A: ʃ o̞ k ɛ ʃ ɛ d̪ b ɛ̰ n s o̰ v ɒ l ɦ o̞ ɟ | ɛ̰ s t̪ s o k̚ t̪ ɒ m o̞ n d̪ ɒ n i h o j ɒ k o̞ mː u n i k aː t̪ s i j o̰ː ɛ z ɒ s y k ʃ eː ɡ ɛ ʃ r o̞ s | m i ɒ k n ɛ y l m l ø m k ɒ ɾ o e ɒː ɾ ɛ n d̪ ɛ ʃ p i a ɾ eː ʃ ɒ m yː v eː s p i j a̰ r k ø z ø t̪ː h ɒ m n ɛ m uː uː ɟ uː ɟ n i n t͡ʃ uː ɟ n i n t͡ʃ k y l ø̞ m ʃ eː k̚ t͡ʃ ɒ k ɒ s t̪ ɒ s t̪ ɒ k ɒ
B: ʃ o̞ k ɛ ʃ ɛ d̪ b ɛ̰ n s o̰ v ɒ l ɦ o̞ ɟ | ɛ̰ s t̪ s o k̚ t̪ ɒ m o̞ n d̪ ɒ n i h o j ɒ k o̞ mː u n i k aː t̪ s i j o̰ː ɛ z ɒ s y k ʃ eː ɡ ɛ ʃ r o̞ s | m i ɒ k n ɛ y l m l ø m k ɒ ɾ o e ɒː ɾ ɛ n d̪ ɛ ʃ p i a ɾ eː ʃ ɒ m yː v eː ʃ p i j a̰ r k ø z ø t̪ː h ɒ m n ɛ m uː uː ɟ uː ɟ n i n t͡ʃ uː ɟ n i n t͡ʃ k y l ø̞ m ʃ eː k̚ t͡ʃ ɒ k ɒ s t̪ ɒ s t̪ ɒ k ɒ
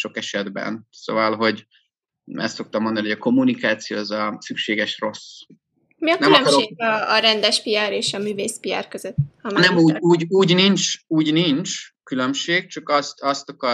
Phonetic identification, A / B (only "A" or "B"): A